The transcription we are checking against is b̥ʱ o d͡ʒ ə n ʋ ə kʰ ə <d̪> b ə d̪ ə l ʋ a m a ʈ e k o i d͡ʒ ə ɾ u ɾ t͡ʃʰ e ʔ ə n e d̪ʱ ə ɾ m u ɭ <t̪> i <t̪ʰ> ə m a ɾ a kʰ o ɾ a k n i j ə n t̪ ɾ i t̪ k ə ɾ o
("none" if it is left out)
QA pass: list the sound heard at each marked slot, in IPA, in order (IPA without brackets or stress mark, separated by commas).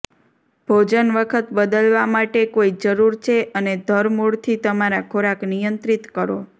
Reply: t̪, t̪ʰ, t̪